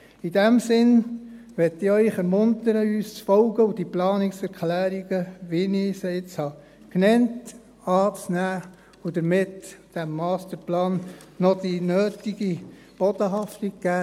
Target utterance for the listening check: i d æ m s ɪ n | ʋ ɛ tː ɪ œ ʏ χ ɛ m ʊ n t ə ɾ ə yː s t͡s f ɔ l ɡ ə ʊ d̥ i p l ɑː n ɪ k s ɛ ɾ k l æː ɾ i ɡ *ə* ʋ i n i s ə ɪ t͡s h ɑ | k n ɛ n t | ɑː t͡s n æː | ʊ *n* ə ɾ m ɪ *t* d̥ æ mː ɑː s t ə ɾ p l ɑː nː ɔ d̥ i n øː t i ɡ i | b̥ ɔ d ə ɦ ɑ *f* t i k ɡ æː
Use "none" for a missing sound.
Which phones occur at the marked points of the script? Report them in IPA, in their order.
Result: ə, d, t, f

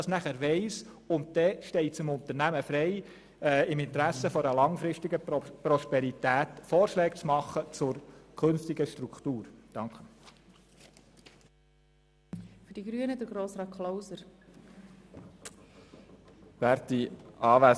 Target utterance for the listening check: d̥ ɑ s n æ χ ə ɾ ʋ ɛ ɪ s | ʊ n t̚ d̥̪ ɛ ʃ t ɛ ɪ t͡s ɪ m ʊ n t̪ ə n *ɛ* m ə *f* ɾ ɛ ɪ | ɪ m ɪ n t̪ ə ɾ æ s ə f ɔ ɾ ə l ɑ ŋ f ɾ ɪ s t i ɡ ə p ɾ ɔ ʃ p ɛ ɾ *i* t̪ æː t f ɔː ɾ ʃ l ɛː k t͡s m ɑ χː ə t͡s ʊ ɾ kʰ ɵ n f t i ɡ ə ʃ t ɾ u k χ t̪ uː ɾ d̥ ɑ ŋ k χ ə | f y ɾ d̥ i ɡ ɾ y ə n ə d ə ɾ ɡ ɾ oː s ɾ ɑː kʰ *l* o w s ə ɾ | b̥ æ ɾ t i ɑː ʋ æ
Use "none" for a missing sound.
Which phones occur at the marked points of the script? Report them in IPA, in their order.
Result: æ, f, i, l

